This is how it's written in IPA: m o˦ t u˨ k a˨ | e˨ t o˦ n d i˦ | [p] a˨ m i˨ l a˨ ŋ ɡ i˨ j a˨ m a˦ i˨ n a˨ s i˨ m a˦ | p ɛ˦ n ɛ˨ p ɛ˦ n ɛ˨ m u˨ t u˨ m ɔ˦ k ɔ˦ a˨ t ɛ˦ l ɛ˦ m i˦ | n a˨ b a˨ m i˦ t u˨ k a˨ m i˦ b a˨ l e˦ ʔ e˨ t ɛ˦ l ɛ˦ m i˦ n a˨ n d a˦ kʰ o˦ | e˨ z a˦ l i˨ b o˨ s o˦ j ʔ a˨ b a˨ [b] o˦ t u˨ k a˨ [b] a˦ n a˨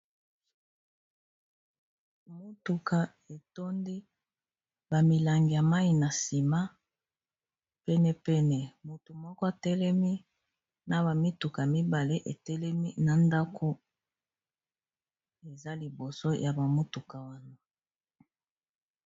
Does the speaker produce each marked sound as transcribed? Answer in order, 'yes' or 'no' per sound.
no, no, no

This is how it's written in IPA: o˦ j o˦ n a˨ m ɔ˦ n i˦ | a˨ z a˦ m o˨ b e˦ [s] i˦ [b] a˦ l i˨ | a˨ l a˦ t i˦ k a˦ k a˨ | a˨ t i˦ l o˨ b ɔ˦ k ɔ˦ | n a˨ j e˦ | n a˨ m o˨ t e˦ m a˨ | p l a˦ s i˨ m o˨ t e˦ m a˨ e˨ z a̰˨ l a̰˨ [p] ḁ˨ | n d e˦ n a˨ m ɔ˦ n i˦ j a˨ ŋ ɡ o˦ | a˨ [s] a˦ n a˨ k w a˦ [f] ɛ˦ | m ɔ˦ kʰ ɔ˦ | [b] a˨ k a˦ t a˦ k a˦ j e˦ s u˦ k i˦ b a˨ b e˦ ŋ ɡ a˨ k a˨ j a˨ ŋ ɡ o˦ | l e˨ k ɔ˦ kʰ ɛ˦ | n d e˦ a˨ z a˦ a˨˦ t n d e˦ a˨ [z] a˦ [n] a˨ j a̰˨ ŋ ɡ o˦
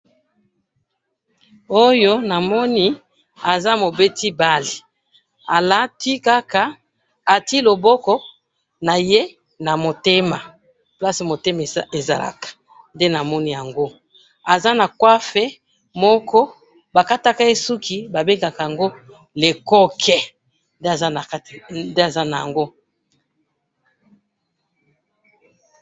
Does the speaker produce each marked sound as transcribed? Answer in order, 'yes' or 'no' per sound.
no, yes, no, no, yes, yes, yes, yes

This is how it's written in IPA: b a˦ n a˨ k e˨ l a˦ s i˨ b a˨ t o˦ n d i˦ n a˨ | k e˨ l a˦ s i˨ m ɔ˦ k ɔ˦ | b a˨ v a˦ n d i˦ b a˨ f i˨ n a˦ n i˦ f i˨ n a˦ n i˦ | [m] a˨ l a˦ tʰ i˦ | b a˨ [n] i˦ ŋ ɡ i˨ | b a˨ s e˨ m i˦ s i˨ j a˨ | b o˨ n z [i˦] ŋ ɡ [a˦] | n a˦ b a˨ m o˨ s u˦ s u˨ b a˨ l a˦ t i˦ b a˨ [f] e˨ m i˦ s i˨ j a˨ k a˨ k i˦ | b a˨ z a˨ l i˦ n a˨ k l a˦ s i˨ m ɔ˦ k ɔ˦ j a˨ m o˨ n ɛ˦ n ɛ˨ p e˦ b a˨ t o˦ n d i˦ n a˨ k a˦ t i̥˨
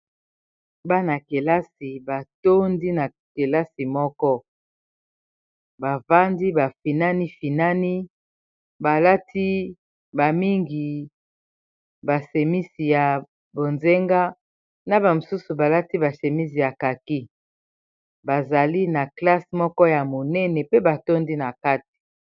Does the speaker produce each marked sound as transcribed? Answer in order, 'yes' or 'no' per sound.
no, no, no, yes, no

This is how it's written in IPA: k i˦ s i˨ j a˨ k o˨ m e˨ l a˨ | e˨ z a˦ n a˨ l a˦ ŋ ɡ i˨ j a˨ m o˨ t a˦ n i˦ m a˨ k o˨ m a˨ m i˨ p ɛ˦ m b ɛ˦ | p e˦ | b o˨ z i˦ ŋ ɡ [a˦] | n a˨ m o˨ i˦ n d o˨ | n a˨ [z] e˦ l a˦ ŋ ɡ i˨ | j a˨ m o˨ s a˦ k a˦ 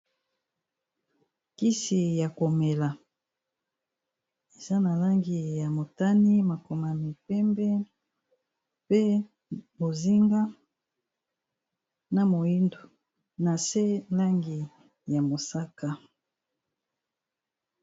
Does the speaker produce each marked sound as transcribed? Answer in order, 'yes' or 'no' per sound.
yes, no

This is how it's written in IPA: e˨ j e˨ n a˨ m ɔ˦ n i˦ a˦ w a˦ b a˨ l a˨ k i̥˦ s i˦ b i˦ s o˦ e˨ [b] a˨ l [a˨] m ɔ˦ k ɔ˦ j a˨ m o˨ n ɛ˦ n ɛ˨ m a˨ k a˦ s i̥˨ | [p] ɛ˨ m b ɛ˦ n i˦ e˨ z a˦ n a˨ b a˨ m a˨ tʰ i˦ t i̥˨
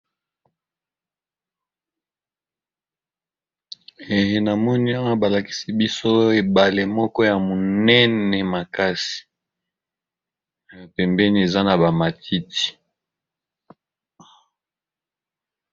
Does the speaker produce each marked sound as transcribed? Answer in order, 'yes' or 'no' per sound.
yes, no, yes

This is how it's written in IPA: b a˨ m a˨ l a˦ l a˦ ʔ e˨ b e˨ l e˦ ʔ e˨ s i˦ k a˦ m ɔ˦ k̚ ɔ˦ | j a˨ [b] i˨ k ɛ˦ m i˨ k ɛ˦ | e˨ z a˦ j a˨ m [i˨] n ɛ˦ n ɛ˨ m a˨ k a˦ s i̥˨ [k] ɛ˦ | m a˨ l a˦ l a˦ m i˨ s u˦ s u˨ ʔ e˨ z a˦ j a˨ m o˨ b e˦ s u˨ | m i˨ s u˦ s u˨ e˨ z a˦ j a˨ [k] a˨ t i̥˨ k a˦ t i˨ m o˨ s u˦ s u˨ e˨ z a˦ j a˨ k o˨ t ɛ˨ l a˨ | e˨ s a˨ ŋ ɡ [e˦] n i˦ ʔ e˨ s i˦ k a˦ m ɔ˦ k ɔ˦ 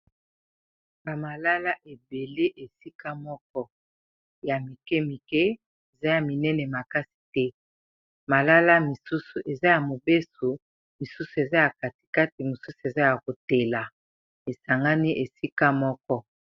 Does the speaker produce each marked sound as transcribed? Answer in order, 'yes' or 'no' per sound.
no, yes, no, yes, no

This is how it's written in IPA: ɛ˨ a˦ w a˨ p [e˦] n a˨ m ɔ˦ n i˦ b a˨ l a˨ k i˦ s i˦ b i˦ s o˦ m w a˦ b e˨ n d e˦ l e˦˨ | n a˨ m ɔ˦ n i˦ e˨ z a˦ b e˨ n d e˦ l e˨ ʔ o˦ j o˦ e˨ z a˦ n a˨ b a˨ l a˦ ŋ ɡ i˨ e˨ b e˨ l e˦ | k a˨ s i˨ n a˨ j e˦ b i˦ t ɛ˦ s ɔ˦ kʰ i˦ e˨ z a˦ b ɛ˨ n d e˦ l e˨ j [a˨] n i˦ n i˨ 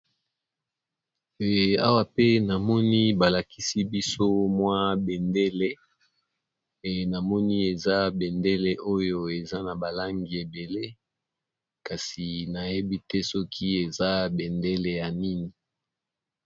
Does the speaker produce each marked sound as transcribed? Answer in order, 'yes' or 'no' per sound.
yes, yes

